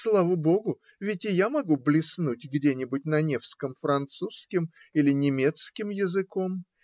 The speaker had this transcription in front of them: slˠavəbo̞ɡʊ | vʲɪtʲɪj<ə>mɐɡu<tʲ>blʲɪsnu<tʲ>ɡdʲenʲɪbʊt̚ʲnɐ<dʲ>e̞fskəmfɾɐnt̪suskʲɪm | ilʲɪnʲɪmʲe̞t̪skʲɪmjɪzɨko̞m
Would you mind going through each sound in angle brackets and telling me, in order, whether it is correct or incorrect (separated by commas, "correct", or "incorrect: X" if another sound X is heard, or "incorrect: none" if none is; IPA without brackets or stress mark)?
incorrect: a, incorrect: none, correct, incorrect: nʲ